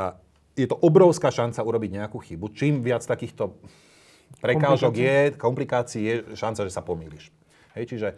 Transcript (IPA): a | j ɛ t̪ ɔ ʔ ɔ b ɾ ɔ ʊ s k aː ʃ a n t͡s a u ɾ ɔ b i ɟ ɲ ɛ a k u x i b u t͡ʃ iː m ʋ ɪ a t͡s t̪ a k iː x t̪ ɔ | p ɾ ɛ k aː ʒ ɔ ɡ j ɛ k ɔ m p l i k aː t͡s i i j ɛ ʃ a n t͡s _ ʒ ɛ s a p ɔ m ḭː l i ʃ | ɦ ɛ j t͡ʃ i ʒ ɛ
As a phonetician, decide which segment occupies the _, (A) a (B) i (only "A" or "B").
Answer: A